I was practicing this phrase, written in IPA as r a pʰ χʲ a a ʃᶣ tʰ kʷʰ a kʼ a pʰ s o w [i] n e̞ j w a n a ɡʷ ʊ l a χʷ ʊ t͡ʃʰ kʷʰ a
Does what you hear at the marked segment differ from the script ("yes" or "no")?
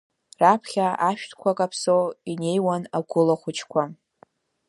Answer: no